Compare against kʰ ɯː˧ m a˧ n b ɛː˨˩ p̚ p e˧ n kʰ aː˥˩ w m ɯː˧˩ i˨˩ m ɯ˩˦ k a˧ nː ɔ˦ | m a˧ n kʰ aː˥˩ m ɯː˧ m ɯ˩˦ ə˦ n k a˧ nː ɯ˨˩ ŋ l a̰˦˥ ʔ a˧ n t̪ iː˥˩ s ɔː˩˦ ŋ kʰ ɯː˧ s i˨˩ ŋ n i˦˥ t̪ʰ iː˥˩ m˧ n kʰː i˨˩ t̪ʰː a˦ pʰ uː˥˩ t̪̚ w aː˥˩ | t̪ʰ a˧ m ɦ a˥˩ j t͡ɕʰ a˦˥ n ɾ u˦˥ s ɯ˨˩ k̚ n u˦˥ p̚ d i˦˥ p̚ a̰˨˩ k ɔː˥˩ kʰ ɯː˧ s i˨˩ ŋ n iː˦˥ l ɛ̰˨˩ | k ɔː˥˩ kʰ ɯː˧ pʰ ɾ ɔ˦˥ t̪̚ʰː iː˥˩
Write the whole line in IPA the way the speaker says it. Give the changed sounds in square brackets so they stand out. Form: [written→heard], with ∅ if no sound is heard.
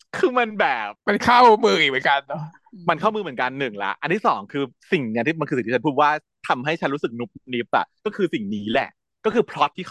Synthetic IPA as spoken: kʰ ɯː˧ m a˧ n b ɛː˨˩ p̚ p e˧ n kʰ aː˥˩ w m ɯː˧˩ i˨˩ m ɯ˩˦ k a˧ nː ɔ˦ | m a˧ n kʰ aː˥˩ m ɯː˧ m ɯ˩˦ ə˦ n k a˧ nː ɯ˨˩ ŋ l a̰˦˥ ʔ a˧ n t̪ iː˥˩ s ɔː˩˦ ŋ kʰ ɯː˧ s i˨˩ ŋ n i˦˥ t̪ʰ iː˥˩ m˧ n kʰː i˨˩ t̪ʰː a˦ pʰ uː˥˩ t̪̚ w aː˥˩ | t̪ʰ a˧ m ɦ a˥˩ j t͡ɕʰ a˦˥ n ɾ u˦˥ s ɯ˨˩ k̚ n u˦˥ p̚ [d→n] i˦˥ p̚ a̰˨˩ k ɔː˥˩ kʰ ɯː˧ s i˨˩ ŋ n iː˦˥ l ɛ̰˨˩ | k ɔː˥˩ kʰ ɯː˧ pʰ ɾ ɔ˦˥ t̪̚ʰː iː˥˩